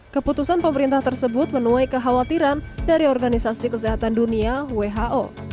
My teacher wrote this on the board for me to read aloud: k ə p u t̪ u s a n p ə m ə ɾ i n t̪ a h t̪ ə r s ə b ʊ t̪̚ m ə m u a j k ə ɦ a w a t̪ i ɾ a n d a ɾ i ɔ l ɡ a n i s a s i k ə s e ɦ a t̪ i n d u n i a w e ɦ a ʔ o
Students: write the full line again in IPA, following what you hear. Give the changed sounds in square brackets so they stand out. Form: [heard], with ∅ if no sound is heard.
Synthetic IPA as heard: k ə p u t̪ u s a n p ə m ə ɾ i n t̪ a h t̪ ə r s ə b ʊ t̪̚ m ə [n] u a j k ə ɦ a w a t̪ i ɾ a n d a ɾ i ɔ [r] ɡ a n i s a s i k ə s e ɦ a t̪ [a] n d u n i a w e ɦ a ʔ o